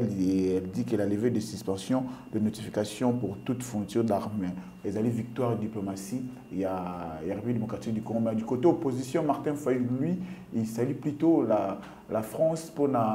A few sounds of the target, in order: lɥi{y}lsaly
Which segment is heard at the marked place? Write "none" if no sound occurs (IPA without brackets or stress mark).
i